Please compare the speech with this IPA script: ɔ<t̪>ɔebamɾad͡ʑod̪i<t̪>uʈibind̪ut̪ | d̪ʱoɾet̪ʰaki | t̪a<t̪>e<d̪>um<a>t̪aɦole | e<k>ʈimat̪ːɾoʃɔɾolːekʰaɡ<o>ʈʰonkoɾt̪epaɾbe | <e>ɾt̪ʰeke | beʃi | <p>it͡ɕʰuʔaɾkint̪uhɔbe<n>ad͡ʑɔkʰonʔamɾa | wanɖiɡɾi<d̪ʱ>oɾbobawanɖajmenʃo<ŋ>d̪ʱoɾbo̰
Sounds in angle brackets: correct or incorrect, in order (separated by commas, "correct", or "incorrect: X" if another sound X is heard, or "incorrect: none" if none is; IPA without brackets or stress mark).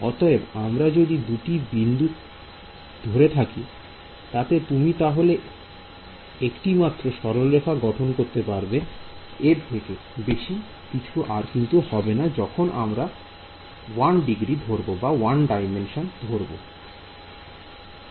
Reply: correct, incorrect: d̪, correct, incorrect: t̪, incorrect: i, correct, incorrect: ɔ, correct, incorrect: k, correct, correct, incorrect: n